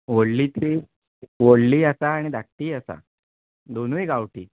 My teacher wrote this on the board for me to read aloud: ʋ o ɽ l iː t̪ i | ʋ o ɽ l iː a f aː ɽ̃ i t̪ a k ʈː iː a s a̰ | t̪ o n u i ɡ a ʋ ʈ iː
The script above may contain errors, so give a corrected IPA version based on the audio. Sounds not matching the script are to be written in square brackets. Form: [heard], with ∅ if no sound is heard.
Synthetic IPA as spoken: ʋ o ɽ l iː t̪ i | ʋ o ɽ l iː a [s] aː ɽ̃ i [d̪] a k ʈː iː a s a̰ | [d̪] o n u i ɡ a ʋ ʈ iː